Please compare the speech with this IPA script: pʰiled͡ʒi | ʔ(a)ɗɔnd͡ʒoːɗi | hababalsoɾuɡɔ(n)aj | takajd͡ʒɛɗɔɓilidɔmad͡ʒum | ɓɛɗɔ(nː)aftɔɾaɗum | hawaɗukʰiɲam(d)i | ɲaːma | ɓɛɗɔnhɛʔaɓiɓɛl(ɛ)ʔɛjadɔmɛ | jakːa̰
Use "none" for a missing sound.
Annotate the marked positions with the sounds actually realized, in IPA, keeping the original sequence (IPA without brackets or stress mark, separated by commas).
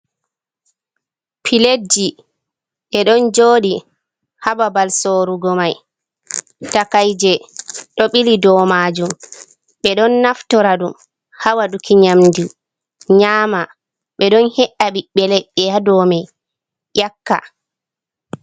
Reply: ɛ, m, nː, d, ɛ